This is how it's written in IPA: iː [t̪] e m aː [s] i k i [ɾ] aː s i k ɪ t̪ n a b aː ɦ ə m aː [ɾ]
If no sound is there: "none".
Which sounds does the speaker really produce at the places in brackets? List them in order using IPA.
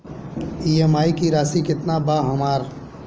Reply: none, none, ɾ, ɾ

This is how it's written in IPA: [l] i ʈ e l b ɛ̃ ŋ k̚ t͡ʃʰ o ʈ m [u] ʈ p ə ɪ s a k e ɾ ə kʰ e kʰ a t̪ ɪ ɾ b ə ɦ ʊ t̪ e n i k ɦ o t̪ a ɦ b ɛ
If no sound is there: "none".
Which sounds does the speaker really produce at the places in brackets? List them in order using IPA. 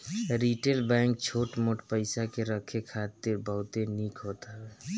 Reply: ɾ, o

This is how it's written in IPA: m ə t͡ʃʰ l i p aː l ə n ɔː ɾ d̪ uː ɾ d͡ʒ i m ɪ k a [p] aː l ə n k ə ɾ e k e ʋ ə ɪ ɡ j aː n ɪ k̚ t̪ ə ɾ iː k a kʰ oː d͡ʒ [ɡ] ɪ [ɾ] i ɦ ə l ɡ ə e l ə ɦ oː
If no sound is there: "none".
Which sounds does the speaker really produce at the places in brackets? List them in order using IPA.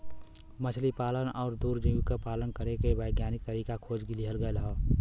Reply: p, ɡ, l

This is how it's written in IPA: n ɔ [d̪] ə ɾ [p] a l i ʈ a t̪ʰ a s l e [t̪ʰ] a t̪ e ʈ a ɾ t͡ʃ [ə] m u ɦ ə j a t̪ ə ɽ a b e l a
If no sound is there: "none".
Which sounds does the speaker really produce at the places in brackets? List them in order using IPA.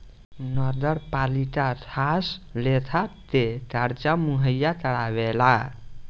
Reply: d̪, p, t̪ʰ, a

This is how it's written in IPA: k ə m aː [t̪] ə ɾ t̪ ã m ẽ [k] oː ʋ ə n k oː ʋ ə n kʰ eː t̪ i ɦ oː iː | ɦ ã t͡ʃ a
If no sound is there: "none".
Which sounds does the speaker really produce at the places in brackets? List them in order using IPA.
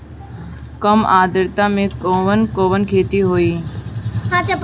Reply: d̪, k

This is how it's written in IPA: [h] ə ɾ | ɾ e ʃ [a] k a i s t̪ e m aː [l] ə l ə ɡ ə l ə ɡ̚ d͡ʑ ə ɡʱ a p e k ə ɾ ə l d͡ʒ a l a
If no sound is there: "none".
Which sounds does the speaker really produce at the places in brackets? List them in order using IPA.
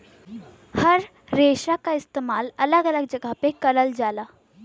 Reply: h, a, l

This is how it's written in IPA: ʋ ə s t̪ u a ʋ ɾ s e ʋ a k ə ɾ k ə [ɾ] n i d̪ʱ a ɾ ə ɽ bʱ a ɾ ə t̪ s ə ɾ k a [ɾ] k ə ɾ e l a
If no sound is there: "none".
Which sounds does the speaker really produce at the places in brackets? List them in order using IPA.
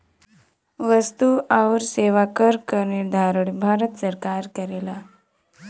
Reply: ɾ, ɾ

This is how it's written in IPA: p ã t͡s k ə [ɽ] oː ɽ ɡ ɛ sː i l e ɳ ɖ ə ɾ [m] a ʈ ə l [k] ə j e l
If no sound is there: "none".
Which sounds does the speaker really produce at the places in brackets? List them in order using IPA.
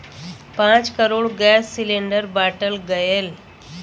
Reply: ɾ, b, ɡ

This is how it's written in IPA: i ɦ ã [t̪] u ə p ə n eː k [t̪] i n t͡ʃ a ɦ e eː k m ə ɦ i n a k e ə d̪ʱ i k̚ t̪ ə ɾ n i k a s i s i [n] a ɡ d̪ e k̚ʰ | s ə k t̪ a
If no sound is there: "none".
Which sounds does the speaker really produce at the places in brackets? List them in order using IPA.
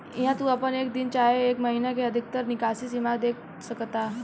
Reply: t̪, d̪, m

